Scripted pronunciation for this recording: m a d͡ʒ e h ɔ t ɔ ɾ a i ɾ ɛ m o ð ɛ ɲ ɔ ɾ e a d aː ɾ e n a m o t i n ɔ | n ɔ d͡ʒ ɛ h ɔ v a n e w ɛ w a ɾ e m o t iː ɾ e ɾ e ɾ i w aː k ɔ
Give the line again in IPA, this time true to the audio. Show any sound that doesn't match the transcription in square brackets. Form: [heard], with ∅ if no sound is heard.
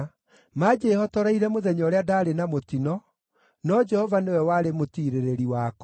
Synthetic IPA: m a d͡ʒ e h ɔ t ɔ ɾ a i ɾ ɛ m o ð ɛ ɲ ɔ ɾ e a d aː ɾ e n a m o t i n ɔ | n ɔ d͡ʒ ɛ h ɔ v a n e w ɛ w a ɾ e m o t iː ɾ e ɾ e ɾ i w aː k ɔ